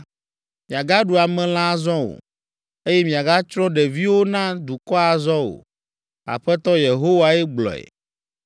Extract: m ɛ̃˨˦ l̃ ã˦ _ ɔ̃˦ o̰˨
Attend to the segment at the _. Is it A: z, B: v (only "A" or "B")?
A